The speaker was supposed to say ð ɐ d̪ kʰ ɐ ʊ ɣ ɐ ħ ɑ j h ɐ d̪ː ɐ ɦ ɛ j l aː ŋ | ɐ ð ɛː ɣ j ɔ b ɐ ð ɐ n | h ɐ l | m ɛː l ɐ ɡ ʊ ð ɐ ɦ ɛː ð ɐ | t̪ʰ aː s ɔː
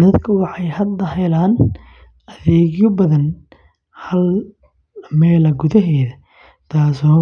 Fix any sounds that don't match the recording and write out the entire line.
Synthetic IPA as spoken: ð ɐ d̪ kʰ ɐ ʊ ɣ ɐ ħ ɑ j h ɐ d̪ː ɐ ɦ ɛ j l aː n | ɐ ð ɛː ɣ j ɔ b ɐ ð ɐ n | h ɐ l | m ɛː l ɐ ɡ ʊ ð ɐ ɦ ɛː ð ɐ | t̪ʰ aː s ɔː